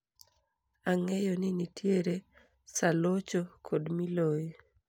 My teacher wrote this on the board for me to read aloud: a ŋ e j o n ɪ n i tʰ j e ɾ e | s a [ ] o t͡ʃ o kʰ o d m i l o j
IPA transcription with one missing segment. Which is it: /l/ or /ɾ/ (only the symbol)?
l